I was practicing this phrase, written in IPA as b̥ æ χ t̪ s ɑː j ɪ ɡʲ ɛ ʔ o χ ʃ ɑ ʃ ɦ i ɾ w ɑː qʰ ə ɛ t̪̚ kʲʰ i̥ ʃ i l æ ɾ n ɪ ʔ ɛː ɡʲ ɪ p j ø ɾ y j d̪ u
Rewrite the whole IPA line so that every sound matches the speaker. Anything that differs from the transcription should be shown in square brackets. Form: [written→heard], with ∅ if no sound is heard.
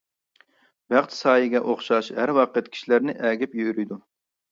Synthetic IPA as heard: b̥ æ χ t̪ s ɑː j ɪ ɡʲ ɛ ʔ o χ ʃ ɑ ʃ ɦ [i→æ] ɾ w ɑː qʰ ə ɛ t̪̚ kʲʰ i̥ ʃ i l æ ɾ n ɪ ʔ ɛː ɡʲ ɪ p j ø ɾ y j d̪ u